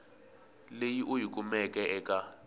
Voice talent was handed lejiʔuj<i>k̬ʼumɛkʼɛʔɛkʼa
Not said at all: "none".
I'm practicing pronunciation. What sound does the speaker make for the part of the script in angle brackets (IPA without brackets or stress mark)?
i